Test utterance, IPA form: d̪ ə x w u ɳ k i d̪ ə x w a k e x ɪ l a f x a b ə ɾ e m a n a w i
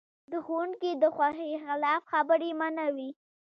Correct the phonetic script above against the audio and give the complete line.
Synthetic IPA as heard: d̪ ə x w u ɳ k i d̪ ə x w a x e x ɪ l ɑ f x a b ə ɾ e m a n a w i